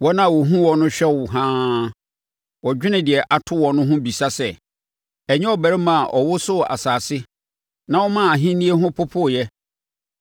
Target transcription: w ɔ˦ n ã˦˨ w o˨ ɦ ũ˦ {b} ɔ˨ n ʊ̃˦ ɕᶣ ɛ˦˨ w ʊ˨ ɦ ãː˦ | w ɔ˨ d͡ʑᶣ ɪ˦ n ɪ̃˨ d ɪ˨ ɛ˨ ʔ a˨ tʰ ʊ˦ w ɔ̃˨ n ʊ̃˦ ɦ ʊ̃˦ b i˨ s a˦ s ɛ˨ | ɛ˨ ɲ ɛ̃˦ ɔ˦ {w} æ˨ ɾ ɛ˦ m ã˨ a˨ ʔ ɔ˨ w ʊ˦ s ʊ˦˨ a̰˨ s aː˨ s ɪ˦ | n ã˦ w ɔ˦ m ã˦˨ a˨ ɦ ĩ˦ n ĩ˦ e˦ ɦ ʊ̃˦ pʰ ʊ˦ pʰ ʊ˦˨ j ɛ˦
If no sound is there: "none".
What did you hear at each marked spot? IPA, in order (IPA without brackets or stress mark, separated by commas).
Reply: w, b